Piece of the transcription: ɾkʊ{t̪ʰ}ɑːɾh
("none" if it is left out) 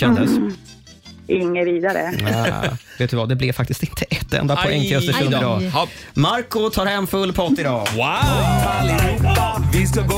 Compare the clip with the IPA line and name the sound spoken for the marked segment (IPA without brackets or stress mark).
t̪ʰ